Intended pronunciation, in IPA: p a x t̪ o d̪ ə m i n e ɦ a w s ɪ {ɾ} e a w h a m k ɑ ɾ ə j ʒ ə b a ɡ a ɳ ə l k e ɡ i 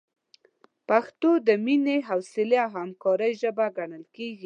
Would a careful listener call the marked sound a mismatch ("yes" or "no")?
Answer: yes